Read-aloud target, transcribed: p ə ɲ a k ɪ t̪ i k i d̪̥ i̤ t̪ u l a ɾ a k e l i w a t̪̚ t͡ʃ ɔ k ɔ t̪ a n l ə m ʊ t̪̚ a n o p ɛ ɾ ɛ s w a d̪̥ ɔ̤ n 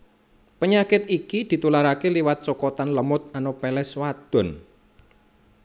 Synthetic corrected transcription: p ə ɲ a k ɪ t̪ i k i d̪̥ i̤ t̪ u l a ɾ a k e l i w a t̪̚ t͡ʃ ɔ k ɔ t̪ a n l ə m ʊ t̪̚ a n o p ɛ l ɛ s w a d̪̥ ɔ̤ n